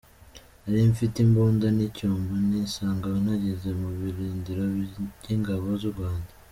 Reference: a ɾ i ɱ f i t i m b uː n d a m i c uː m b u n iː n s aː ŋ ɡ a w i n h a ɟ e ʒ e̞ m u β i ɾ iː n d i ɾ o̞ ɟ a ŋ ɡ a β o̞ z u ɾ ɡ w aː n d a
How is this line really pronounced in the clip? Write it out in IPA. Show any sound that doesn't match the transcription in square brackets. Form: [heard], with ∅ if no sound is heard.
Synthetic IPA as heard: a ɾ i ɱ f i t i m b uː n d a [n] i c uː m b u n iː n s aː ŋ ɡ a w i n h a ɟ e [z] e̞ m u β i ɾ iː n d i ɾ o̞ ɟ [i] ŋ ɡ a β o̞ z u ɾ ɡ w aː n d a